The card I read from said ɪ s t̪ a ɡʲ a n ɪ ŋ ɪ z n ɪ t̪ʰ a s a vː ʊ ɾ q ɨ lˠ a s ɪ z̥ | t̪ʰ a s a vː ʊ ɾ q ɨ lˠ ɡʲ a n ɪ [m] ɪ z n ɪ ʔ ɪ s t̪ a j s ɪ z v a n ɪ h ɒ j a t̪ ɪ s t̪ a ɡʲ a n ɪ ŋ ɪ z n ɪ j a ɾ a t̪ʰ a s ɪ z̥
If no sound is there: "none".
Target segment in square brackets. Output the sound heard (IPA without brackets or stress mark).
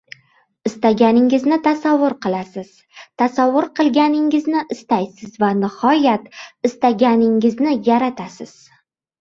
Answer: ŋ